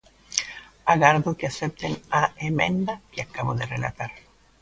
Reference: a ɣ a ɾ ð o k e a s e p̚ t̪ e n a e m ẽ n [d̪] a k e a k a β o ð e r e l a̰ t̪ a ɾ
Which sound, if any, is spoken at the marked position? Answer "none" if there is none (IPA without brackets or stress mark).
d̪